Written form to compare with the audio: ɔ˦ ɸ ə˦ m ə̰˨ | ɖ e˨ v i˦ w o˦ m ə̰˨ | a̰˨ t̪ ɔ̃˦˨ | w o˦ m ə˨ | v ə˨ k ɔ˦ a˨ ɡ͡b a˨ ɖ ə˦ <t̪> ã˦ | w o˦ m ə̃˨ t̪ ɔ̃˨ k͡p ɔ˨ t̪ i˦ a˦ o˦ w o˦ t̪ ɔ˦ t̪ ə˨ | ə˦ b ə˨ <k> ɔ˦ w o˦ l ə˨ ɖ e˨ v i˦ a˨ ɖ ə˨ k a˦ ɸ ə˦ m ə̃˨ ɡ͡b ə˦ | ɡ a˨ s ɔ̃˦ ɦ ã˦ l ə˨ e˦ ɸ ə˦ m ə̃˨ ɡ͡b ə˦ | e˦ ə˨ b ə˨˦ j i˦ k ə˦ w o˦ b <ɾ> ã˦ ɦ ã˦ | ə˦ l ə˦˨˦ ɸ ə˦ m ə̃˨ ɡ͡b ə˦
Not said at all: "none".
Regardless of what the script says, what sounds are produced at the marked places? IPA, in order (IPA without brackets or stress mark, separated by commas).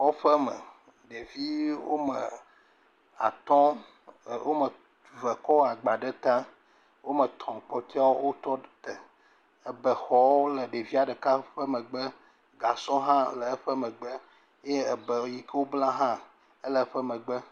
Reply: t̪, x, l